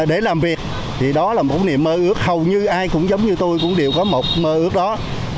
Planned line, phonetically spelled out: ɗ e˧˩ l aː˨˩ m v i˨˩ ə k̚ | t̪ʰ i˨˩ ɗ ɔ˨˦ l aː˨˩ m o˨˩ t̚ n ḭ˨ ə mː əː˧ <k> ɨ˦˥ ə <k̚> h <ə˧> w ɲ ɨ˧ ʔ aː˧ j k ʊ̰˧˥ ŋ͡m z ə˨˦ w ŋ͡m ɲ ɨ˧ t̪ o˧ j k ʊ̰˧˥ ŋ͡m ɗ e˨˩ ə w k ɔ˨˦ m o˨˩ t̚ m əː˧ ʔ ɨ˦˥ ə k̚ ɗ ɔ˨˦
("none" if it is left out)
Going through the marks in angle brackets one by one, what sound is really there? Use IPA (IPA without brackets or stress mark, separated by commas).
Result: ʔ, k̚, ə˨˩